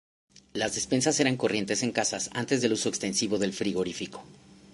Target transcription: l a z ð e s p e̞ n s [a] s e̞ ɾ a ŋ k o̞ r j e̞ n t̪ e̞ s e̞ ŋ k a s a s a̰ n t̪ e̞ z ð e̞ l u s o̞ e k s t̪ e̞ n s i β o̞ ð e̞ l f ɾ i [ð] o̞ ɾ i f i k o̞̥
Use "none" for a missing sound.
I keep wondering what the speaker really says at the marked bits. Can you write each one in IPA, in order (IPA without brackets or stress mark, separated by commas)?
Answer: a, ɣ